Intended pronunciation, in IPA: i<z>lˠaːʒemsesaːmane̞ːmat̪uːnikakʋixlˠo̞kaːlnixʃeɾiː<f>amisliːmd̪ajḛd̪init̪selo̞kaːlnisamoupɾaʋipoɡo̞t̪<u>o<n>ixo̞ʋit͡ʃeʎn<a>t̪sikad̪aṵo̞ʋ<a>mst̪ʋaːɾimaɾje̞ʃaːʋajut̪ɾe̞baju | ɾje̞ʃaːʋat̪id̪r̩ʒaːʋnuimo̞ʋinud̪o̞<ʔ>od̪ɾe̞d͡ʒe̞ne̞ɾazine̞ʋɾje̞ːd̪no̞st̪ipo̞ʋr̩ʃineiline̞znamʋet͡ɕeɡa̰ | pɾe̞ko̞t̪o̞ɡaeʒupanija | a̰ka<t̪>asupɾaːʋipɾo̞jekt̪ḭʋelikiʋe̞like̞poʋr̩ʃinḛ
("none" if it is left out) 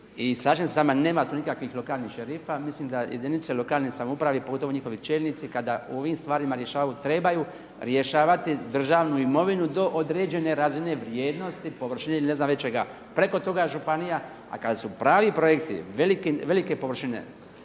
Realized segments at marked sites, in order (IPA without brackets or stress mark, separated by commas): s, f, o, ɲ, i, i, ʔ, d̪